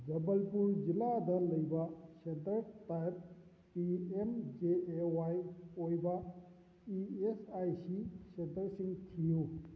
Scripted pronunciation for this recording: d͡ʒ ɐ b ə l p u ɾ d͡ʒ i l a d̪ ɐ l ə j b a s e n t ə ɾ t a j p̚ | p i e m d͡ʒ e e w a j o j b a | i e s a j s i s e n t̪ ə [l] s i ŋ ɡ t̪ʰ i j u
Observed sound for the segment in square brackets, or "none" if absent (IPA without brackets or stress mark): ɾ